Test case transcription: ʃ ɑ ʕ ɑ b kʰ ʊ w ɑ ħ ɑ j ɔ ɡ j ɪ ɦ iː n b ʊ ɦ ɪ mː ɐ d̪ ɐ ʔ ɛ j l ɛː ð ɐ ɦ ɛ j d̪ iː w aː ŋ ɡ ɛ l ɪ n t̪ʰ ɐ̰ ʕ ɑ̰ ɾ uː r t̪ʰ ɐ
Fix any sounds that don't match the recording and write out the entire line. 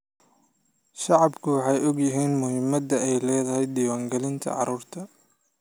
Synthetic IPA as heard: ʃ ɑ ʕ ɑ b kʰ ʊ w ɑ ħ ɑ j ɔ ɡ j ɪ ɦ iː n m ʊ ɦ ɪ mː ɐ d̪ ɐ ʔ ɛ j l ɛː ð ɐ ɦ ɛ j d̪ iː w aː ŋ ɡ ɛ l ɪ n t̪ʰ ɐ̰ ʕ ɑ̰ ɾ uː r t̪ʰ ɐ